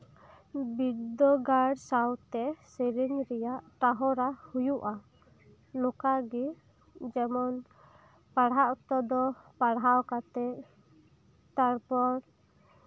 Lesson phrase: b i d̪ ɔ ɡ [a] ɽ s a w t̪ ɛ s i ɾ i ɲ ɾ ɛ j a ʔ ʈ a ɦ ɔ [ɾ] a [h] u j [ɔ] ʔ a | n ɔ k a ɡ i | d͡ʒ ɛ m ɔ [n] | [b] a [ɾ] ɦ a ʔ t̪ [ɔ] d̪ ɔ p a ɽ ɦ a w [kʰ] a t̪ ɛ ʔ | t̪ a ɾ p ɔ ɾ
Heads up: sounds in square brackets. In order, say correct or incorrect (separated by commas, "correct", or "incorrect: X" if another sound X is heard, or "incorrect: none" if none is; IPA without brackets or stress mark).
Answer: correct, correct, correct, incorrect: u, correct, incorrect: p, incorrect: ɽ, correct, incorrect: k